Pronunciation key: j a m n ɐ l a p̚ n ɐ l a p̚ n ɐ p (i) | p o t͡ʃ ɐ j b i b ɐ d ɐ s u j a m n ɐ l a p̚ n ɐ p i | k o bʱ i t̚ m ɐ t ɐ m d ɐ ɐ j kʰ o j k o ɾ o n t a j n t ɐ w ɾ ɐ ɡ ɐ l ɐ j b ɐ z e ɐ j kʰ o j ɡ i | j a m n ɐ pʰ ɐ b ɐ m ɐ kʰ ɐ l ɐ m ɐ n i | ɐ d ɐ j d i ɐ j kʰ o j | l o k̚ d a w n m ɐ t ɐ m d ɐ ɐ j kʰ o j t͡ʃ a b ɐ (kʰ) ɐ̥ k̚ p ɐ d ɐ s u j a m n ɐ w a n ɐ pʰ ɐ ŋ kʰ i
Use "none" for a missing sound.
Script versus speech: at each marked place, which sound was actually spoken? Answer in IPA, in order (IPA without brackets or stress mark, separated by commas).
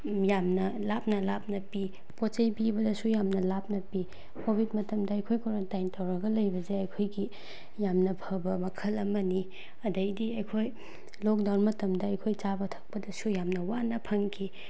i, tʰ